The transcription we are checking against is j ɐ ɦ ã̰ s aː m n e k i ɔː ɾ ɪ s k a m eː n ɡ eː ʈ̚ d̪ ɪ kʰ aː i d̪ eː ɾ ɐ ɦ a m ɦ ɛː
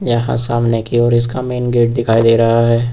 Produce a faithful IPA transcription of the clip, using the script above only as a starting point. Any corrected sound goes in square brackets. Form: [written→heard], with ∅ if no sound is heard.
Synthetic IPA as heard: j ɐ ɦ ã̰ s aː m n e k i ɔː ɾ ɪ s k a m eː n ɡ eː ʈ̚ d̪ ɪ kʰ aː i d̪ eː ɾ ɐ ɦ a [m→∅] ɦ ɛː

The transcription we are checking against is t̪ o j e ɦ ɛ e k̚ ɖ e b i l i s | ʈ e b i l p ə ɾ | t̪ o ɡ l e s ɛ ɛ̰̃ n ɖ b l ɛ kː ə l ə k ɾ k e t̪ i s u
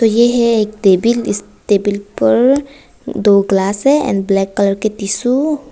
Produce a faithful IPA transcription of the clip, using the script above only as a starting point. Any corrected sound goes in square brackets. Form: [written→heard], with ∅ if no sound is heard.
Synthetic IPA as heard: t̪ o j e ɦ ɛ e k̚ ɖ e b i l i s | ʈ e b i l p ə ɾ | [t̪→d̪] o ɡ l [e→a] s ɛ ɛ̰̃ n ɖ b l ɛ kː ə l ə [k→∅] ɾ k e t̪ i s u

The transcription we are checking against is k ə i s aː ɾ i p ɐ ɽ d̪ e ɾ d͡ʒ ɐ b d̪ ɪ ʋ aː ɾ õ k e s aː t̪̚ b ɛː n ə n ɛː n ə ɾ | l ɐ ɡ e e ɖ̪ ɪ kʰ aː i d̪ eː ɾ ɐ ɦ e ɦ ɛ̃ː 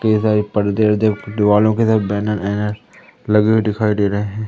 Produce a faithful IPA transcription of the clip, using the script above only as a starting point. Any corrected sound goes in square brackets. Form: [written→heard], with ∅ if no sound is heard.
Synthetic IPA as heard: k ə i s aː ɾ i p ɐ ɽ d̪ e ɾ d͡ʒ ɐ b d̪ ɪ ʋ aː [ɾ→l] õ k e s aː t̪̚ b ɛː n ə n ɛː n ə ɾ | l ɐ ɡ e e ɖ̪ ɪ kʰ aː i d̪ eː ɾ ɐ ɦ e ɦ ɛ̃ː

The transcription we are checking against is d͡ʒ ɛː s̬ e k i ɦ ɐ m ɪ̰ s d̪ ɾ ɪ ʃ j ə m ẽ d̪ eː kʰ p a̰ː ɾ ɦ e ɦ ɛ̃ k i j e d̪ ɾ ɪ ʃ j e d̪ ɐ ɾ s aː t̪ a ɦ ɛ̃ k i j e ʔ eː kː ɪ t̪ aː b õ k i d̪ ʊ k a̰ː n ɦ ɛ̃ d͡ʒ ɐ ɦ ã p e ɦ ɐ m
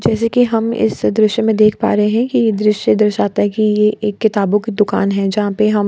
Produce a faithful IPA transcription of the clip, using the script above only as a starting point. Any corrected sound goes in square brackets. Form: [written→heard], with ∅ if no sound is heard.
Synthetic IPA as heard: d͡ʒ ɛː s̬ e k i ɦ ɐ m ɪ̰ s d̪ ɾ ɪ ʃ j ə m ẽ d̪ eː kʰ p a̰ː ɾ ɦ e ɦ ɛ̃ k i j e d̪ ɾ ɪ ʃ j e d̪ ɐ ɾ [s→ʃ] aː t̪ a ɦ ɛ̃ k i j e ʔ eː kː ɪ t̪ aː b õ k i d̪ ʊ k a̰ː n ɦ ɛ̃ d͡ʒ ɐ ɦ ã p e ɦ ɐ m

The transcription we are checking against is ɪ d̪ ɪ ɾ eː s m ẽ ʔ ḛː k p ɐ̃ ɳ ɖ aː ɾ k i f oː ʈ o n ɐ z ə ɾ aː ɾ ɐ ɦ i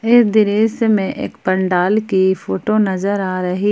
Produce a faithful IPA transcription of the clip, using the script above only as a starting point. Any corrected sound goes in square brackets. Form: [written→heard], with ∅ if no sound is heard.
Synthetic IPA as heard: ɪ d̪ ɪ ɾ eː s m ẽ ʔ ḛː k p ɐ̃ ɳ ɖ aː [ɾ→l] k i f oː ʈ o n ɐ z ə ɾ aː ɾ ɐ ɦ i

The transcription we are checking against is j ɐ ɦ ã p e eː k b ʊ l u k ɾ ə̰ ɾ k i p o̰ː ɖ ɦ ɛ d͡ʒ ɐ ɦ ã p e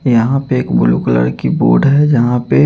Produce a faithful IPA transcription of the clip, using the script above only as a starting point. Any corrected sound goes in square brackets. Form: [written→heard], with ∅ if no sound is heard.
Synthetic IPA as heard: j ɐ ɦ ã p e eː k b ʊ l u k [ɾ→l] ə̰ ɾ k i [p→b] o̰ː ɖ ɦ ɛ d͡ʒ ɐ ɦ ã p e

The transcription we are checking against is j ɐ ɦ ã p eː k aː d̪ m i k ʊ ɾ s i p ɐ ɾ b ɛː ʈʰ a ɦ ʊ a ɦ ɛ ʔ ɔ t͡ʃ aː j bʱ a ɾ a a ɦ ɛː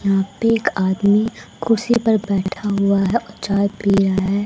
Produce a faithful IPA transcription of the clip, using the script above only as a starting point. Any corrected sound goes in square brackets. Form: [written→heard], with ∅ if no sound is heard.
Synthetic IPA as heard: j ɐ ɦ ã p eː k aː d̪ m i k ʊ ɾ s i p ɐ ɾ b ɛː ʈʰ a ɦ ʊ a ɦ ɛ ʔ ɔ t͡ʃ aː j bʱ [a→i] ɾ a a ɦ ɛː

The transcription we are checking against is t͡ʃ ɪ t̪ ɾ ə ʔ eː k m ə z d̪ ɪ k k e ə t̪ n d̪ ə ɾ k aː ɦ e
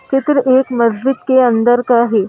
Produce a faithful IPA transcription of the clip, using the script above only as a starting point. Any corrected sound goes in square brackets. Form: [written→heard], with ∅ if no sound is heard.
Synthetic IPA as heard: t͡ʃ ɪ t̪ ɾ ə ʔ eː k m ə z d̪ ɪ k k e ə [t̪→∅] n d̪ ə ɾ k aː ɦ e

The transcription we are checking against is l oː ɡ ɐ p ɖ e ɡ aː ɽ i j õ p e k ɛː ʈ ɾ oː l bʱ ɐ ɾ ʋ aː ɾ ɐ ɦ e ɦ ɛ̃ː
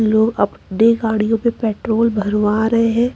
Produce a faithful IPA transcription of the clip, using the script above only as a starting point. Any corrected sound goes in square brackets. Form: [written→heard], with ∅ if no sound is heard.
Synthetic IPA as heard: l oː ɡ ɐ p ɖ e ɡ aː ɽ i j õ p e [k→p] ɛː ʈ ɾ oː l bʱ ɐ ɾ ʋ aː ɾ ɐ ɦ e ɦ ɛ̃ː

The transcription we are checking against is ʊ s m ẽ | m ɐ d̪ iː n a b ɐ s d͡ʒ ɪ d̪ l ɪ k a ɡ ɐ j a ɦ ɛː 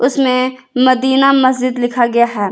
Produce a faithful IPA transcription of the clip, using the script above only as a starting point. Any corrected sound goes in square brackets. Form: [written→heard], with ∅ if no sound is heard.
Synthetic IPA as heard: ʊ s m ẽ | m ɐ d̪ iː n a [b→m] ɐ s d͡ʒ ɪ d̪ l ɪ [k→kʰ] a ɡ ɐ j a ɦ ɛː

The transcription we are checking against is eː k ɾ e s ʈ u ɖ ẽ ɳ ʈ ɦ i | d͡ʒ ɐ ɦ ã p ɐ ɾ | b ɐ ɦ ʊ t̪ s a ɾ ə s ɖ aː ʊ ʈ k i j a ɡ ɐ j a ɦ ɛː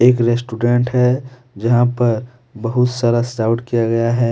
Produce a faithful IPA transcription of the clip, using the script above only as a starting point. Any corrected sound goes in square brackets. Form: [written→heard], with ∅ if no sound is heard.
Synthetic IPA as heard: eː k ɾ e s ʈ u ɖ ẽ ɳ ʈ ɦ [i→ɛ] | d͡ʒ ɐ ɦ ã p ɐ ɾ | b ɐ ɦ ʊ t̪ s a ɾ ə s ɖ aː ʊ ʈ k i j a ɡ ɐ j a ɦ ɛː

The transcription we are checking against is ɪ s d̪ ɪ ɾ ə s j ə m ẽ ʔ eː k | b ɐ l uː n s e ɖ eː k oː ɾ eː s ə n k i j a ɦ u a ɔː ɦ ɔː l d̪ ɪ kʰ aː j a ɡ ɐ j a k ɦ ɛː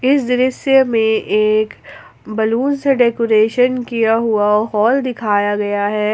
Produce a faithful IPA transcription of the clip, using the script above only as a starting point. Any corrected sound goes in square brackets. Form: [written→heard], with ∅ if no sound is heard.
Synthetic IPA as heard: ɪ s d̪ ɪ ɾ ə s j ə m ẽ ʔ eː k | b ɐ l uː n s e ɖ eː k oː ɾ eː [s→ʃ] ə n k i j a ɦ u a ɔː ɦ ɔː l d̪ ɪ kʰ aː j a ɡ ɐ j a [k→∅] ɦ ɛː

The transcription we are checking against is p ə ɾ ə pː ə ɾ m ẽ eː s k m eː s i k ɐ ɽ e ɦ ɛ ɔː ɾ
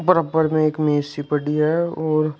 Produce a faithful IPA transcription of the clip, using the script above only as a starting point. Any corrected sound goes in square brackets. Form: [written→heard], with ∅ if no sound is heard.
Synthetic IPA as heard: p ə ɾ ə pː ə ɾ m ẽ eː [s→∅] k m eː s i [k→p] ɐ ɽ [e→i] ɦ ɛ ɔː ɾ

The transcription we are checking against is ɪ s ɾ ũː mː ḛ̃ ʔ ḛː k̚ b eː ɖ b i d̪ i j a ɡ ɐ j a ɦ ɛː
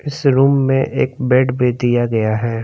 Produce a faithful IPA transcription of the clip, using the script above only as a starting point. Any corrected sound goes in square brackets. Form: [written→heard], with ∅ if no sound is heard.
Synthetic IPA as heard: ɪ s ɾ [ũː→uː] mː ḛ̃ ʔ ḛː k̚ b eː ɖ b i d̪ i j a ɡ ɐ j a ɦ ɛː

